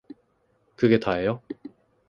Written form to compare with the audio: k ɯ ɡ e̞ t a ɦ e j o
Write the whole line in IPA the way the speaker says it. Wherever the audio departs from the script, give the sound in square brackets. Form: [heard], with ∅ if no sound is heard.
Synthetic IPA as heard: k ɯ ɡ e̞ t a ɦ e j o